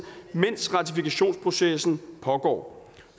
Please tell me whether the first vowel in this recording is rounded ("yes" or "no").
no